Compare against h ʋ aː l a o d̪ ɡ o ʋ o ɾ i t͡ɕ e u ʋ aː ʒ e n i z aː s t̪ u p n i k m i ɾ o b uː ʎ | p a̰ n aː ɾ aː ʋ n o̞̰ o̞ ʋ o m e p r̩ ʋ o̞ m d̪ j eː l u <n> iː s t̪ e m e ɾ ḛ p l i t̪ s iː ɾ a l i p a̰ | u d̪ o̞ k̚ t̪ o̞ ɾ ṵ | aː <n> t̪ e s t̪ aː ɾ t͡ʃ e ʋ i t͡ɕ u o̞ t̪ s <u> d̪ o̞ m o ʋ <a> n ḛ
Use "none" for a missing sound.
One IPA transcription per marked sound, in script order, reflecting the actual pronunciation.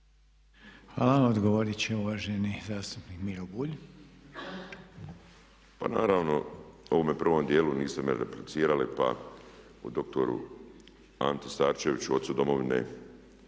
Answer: n, n, u, i

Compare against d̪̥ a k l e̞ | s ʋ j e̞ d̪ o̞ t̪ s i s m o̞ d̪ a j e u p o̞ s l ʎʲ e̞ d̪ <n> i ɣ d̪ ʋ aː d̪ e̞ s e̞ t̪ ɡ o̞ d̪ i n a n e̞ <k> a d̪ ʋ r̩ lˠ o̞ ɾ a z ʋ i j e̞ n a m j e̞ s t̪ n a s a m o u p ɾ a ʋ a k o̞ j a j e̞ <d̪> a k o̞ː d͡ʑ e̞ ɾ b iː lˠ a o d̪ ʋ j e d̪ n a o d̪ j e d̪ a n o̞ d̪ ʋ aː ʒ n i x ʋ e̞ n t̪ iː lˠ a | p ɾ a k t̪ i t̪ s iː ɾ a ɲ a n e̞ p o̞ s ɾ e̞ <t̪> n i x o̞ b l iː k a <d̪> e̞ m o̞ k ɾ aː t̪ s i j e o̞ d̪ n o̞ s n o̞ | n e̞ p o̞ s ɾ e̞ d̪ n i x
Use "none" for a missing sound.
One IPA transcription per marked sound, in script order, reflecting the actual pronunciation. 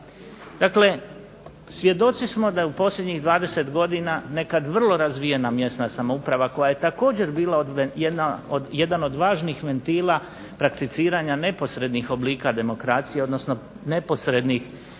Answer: ɲ, k, t̪, d̪, d̪

